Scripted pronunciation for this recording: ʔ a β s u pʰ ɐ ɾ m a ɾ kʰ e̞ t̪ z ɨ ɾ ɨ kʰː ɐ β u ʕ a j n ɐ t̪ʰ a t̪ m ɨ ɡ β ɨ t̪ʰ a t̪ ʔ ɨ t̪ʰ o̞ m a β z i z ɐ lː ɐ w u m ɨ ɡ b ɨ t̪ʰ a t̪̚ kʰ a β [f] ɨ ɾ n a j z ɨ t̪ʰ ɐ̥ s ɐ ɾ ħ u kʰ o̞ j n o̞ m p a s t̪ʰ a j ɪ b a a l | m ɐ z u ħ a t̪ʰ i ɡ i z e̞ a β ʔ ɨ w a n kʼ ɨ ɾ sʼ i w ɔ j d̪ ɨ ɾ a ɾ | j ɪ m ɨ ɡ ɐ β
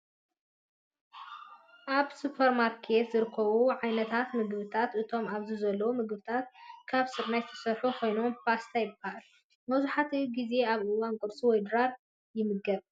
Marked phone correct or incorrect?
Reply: incorrect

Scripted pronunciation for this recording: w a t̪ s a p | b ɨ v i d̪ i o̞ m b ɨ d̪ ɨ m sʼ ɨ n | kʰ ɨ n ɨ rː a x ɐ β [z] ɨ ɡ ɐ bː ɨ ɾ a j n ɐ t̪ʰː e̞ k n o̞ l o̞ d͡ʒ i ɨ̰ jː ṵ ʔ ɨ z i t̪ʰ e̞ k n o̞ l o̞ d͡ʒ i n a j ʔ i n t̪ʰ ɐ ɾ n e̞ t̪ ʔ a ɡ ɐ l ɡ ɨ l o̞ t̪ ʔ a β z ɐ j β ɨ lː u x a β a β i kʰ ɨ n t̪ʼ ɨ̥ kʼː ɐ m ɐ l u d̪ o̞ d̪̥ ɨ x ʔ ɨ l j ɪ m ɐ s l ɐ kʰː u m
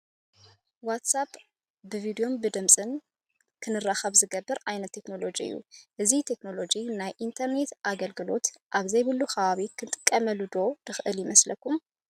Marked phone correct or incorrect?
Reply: correct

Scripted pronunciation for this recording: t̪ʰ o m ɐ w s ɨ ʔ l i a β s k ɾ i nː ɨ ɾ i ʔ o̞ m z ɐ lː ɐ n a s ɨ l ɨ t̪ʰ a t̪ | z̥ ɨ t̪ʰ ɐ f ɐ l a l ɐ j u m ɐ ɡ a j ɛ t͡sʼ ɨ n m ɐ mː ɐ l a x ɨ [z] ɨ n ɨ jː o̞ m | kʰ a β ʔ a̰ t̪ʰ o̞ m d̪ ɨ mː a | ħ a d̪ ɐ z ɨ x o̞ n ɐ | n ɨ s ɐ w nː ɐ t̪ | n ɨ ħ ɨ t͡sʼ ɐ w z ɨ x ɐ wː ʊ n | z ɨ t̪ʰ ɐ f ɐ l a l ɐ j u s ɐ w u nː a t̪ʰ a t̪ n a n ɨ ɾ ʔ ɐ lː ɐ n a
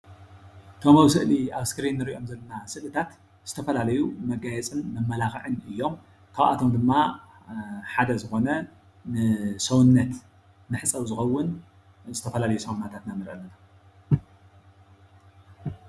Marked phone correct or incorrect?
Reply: incorrect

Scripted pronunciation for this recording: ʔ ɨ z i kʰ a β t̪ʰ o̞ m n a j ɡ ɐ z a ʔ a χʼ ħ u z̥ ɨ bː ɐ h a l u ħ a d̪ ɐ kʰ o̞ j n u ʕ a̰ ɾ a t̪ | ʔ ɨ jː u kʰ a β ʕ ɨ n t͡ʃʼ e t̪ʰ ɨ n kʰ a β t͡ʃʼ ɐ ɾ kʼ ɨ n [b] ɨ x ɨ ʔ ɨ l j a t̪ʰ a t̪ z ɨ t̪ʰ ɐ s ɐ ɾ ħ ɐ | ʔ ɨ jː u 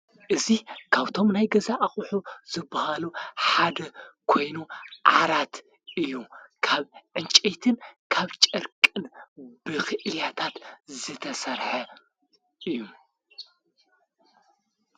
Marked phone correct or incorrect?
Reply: correct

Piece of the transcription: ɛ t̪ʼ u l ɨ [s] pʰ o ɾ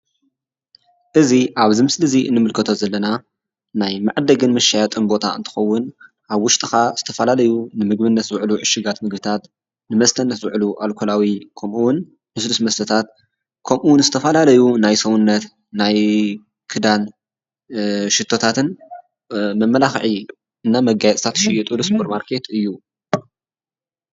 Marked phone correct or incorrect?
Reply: correct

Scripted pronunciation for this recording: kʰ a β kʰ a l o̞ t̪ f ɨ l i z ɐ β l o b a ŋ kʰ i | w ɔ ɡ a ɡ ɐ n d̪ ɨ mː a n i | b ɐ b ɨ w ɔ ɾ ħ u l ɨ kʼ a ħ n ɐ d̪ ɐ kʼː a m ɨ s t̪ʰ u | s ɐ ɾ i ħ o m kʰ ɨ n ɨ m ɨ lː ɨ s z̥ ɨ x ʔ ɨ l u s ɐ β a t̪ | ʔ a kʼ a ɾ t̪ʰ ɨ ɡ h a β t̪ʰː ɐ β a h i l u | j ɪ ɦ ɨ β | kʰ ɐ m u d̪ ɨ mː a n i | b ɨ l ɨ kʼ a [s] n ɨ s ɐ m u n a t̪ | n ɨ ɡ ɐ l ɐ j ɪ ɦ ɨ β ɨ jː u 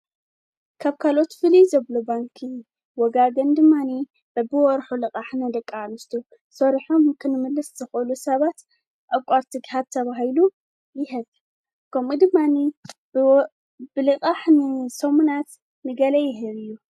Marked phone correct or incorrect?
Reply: incorrect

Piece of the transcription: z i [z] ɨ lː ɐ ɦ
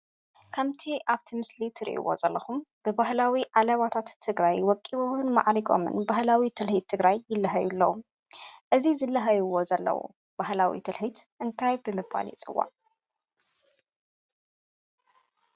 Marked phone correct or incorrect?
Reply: correct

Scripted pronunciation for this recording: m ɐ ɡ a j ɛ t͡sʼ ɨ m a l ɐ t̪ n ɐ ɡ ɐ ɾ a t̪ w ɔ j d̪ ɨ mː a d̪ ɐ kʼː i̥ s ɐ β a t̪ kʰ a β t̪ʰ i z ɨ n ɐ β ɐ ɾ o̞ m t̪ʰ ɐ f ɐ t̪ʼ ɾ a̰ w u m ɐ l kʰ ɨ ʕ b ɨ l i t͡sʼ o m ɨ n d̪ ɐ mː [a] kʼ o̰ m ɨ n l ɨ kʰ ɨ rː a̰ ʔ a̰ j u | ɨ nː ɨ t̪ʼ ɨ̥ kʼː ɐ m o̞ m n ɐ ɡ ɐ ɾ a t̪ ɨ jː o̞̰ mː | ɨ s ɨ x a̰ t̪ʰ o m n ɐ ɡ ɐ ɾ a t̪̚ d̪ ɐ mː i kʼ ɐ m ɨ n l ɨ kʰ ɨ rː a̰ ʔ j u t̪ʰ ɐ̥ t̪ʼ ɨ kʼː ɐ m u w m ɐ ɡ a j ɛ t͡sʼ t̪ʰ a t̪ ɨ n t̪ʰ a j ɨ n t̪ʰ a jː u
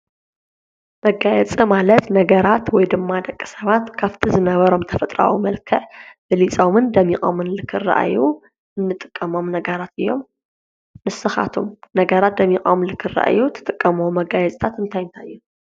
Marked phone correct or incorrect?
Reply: incorrect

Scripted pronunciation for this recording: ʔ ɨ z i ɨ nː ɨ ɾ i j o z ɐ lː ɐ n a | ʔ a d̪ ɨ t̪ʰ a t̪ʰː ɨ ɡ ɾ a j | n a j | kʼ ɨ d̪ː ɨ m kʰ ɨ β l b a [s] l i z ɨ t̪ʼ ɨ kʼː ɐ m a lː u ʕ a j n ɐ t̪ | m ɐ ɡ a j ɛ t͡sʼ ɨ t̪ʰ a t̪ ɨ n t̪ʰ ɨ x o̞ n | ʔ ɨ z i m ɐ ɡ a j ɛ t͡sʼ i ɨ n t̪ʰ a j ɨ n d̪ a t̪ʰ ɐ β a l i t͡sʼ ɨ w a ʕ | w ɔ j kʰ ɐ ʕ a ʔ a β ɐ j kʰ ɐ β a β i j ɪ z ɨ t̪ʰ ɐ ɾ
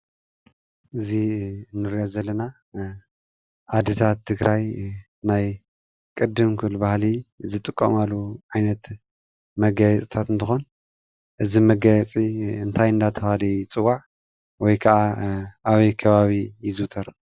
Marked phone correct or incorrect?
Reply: incorrect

